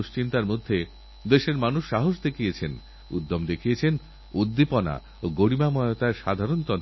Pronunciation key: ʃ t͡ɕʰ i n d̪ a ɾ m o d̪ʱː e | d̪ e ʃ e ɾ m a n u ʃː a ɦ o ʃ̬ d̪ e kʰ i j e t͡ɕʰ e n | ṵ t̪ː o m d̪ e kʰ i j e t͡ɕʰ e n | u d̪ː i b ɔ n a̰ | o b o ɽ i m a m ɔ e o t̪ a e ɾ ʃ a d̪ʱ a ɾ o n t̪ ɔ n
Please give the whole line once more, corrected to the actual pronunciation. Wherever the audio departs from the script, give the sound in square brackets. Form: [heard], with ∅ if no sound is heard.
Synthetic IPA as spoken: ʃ [t͡ɕ] i n [t̪] a ɾ m o d̪ʱː e | d̪ e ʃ e ɾ m a n u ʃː a ɦ o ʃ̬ d̪ e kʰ i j e t͡ɕʰ e n | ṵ [d̪ː] o m d̪ e kʰ i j e t͡ɕʰ e n | u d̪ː i [p] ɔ n a̰ | o [ɡ] o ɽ i m a m ɔ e o t̪ a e ɾ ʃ a d̪ʱ a ɾ o n t̪ ɔ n